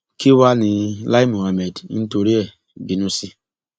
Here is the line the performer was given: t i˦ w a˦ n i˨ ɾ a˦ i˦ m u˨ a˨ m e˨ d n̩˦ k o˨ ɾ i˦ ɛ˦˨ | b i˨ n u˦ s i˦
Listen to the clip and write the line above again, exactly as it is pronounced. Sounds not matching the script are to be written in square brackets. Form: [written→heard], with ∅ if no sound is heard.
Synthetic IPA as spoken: [t→k] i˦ w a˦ n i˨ [ɾ→l] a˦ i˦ m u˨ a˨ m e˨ d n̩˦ [k→t] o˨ ɾ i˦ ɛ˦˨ | b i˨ n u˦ s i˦